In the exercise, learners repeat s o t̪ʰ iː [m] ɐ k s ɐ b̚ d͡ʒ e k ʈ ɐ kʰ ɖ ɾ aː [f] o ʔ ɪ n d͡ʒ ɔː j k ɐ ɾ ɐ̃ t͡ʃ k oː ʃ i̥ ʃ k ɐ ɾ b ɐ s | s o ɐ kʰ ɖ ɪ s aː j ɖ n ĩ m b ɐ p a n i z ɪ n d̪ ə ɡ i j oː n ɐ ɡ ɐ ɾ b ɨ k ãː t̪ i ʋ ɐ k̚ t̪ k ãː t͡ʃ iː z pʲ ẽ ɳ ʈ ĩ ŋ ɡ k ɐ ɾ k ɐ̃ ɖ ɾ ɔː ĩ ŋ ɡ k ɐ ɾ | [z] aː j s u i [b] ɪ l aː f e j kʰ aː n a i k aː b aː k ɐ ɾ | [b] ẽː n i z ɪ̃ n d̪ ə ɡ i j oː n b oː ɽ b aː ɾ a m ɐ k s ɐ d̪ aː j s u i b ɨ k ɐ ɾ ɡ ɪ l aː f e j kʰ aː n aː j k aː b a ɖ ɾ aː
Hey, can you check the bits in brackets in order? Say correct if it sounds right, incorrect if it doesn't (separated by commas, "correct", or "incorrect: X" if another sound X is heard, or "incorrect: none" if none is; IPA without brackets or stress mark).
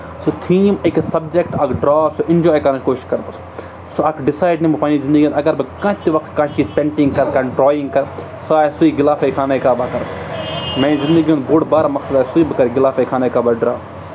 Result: correct, incorrect: s, incorrect: s, incorrect: ɡ, incorrect: m